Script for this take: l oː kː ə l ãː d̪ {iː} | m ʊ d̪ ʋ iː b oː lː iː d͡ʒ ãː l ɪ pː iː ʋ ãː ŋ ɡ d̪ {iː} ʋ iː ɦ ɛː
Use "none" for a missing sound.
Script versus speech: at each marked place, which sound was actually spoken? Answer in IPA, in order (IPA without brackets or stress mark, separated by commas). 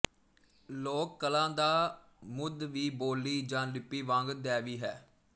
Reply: aː, ɛː